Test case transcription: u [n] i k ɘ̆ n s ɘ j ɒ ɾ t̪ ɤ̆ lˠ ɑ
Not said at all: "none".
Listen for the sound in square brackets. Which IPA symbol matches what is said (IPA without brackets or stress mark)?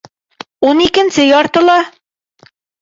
n